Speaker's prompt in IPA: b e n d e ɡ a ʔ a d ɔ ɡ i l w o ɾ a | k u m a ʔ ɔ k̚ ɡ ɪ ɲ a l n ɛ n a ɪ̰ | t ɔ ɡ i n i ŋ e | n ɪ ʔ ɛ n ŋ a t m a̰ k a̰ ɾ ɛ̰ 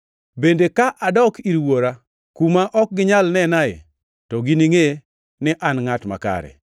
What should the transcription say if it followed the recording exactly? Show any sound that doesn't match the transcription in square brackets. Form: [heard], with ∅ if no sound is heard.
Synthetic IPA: b e n d e [k] a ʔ a d ɔ [k] i [ɾ] w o ɾ a | k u m a ʔ ɔ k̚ ɡ ɪ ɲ a l n ɛ n a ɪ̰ | t ɔ ɡ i n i ŋ e | n ɪ ʔ [a] n ŋ a t m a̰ k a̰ ɾ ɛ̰

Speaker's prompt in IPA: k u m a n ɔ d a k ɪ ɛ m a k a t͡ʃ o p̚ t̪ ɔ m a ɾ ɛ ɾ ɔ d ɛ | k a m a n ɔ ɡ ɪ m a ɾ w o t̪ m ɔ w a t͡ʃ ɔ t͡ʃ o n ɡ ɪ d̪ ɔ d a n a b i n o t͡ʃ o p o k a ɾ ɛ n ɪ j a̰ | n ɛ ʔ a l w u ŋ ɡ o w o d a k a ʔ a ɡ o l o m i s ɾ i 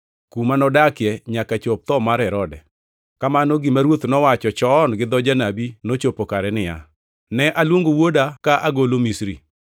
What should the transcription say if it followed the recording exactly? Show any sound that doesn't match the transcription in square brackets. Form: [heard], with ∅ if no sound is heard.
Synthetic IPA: k u m a n ɔ d a k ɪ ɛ [ɲ] a k a t͡ʃ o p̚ t̪ ɔ m a ɾ ɛ ɾ ɔ d ɛ | k a m a n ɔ ɡ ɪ m a ɾ w o t̪ [n] ɔ w a t͡ʃ ɔ t͡ʃ [ɔ] n ɡ ɪ d̪ ɔ [d͡ʒ] a n a b i n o t͡ʃ o p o k a ɾ ɛ n ɪ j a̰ | n ɛ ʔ a l w [o] ŋ ɡ o w o d a k a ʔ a ɡ o l o m i s ɾ i

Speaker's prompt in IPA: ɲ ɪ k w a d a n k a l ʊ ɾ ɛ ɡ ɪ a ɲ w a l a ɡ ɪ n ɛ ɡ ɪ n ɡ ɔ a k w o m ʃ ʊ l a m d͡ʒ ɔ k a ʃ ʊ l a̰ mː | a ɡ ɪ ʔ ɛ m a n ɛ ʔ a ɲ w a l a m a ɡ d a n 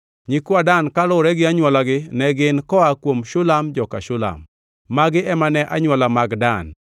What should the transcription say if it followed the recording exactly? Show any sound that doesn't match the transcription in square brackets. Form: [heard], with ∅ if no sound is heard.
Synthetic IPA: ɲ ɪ k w a d a n k a l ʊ ɾ ɛ ɡ ɪ a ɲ w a l a ɡ ɪ n ɛ ɡ ɪ n [k] ɔ a k w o m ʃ ʊ l a m d͡ʒ ɔ k a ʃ ʊ l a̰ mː | a ɡ ɪ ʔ ɛ m a n ɛ ʔ a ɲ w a l a m a ɡ d a n

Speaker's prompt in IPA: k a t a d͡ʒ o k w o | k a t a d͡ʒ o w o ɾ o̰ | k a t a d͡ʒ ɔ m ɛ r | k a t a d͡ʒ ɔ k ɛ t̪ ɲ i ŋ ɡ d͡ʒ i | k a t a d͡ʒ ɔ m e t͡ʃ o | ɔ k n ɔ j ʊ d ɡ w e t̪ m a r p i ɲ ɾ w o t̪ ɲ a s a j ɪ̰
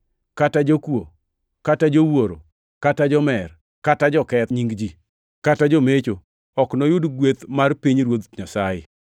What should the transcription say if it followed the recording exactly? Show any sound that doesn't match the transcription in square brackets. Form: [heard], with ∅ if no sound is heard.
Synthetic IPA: k a t a d͡ʒ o k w o | k a t a d͡ʒ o w o ɾ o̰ | k a t a d͡ʒ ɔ m ɛ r | k a t a d͡ʒ ɔ k ɛ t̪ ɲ i ŋ ɡ d͡ʒ i | k a t a d͡ʒ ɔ m e t͡ʃ o | ɔ k n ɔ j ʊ d ɡ w e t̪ m a r p i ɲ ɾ w o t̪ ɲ a s a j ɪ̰

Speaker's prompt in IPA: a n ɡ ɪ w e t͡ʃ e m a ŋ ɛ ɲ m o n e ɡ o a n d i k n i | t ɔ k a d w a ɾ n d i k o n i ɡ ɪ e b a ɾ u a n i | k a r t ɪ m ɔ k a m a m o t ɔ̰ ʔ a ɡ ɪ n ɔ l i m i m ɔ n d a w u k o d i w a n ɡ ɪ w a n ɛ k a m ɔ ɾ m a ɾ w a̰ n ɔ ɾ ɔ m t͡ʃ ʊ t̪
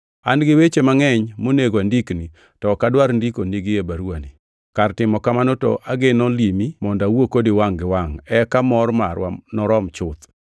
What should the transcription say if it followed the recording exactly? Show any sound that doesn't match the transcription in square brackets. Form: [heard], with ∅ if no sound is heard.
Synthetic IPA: a n ɡ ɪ w e t͡ʃ e m a ŋ ɛ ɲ m o n e ɡ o a n d i k n i | t ɔ k a d w a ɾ n d i k o n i ɡ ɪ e b a ɾ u a n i | k a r t ɪ m ɔ k a m a [n] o t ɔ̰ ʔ a ɡ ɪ n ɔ l i m i m ɔ n d a w [o] k o d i w a [ŋ] ɡ ɪ w a [ŋ] ɛ k a m ɔ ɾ m a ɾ w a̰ n ɔ ɾ ɔ m t͡ʃ ʊ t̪

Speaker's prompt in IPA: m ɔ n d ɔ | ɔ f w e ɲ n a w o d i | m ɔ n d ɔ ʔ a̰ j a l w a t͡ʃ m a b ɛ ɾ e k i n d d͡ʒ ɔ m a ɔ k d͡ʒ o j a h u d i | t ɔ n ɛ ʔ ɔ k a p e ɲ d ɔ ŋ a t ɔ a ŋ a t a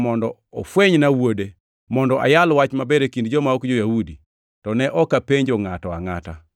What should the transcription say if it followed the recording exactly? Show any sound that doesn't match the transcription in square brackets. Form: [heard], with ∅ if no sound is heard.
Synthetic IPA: m ɔ n d ɔ | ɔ f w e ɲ n a w o d [e] | m ɔ n d ɔ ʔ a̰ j a l w a t͡ʃ m a b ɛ ɾ e k i n d d͡ʒ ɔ m a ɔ k d͡ʒ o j a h u d i | t ɔ n ɛ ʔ ɔ k a p e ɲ [d͡ʒ] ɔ ŋ a t ɔ a ŋ a t a

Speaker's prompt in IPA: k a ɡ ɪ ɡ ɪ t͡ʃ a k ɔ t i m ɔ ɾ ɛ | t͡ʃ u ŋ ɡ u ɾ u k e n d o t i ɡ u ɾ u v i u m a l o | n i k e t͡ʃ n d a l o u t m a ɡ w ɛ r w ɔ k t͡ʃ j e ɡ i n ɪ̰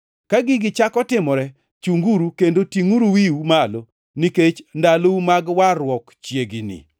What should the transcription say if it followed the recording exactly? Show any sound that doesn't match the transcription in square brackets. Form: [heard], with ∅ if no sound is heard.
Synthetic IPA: k a ɡ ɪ ɡ ɪ t͡ʃ a k ɔ t [ɪ] m ɔ ɾ ɛ | t͡ʃ u ŋ ɡ u ɾ u k e n d o t i [ŋ] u ɾ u [w] i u m a l o | n i k e t͡ʃ n d a l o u [∅] m a ɡ w [a] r w ɔ k t͡ʃ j e ɡ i n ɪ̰

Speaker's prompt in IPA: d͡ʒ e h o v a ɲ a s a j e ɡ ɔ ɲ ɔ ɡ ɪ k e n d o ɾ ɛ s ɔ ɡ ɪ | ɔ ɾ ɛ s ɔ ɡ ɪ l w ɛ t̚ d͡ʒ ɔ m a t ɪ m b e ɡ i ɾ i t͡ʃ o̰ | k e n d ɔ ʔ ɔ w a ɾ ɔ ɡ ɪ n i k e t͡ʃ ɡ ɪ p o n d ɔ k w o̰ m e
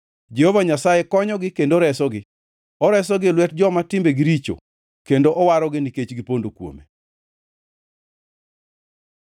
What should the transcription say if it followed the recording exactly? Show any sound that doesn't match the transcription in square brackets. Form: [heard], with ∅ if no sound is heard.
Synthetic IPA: d͡ʒ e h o v a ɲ a s a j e [k] ɔ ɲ ɔ ɡ ɪ k e n d o ɾ ɛ s ɔ ɡ ɪ | ɔ ɾ ɛ s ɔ ɡ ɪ l w ɛ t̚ d͡ʒ ɔ m a t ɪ m b e ɡ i ɾ i t͡ʃ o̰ | k e n d [o] ʔ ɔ w a ɾ ɔ ɡ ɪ n i k e t͡ʃ ɡ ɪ p o n d [o] k w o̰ m e

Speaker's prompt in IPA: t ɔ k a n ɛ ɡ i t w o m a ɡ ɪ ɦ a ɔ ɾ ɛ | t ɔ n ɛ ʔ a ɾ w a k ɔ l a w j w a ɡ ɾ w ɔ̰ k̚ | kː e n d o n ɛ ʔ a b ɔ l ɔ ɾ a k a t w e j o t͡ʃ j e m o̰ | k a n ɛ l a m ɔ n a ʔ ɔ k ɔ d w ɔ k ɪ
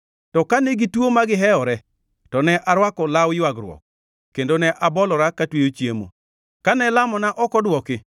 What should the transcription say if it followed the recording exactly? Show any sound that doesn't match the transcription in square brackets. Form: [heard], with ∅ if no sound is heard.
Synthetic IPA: t ɔ k a n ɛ ɡ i t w o m a ɡ ɪ ɦ [ɛ] ɔ ɾ ɛ | t ɔ n ɛ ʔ a ɾ w a k ɔ l a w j w a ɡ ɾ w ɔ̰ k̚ | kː e n d o n ɛ ʔ a b ɔ l ɔ ɾ a k a t w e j o t͡ʃ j e m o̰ | k a n ɛ l a m ɔ n a ʔ ɔ k ɔ d w ɔ k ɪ

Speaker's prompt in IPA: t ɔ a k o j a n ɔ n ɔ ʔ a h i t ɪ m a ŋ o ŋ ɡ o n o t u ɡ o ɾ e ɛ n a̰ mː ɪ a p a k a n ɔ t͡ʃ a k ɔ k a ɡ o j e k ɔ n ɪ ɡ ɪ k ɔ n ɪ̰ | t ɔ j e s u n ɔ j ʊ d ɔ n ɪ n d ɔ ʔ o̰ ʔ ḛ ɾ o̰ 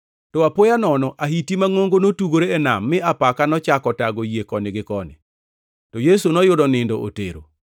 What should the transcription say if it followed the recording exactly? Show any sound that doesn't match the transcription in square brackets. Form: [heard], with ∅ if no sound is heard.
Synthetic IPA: t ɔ a [p] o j a n ɔ n ɔ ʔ a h i t [i] m a ŋ o ŋ ɡ o n o t u ɡ o ɾ e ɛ n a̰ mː ɪ a p a k a n ɔ t͡ʃ a k ɔ [t] a ɡ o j e k ɔ n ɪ ɡ ɪ k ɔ n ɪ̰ | t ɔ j e s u n ɔ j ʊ d ɔ n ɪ n d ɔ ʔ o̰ [t] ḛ ɾ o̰

